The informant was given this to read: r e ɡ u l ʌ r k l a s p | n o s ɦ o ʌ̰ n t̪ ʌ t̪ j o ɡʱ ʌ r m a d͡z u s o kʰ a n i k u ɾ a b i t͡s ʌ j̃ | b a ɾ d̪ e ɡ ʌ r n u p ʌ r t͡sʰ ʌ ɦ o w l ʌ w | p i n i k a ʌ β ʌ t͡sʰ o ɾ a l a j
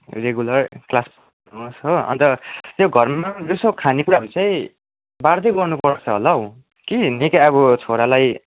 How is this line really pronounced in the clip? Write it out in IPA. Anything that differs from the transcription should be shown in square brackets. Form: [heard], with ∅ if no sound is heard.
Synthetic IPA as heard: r e ɡ u l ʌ r k l a s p | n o s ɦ o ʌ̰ n t̪ ʌ t̪ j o ɡʱ ʌ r m a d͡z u s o kʰ a n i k u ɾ a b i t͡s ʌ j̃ | b a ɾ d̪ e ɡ ʌ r n u p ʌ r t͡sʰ ʌ ɦ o [∅] l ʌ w | [k] i n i k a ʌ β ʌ t͡sʰ o ɾ a l a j